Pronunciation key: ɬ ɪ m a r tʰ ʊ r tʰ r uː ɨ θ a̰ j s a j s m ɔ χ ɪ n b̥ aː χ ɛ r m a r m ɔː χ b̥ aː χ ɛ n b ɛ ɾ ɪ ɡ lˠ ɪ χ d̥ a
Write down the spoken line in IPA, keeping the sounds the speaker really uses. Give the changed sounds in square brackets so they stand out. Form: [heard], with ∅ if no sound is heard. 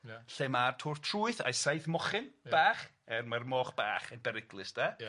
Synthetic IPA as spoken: ɬ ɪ m a r tʰ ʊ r tʰ r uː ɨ θ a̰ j s a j [θ] m ɔ χ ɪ n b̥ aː χ ɛ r m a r m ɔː χ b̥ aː χ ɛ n b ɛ ɾ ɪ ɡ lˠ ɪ [s] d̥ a